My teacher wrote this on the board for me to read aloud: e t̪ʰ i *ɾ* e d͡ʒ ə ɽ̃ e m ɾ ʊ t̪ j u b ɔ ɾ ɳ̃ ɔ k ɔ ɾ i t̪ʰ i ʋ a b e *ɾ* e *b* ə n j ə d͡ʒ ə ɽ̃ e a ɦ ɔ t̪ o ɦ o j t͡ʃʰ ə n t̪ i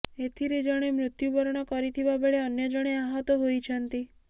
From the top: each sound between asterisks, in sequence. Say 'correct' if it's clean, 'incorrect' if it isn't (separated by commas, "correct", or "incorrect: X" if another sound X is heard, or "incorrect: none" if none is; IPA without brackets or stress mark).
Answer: correct, incorrect: ɭ, incorrect: none